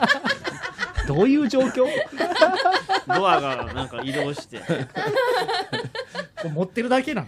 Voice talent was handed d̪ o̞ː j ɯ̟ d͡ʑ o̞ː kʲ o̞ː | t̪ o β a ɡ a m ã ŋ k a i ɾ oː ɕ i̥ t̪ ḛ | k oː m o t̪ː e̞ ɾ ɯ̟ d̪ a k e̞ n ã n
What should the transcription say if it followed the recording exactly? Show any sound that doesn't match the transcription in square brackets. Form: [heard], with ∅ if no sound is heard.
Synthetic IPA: d̪ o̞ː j [ɯ̟ː] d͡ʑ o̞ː kʲ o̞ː | [d̪] o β a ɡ a [n] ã ŋ k a i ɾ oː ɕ i̥ t̪ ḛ | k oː m o t̪ː e̞ ɾ ɯ̟ d̪ a k e̞ n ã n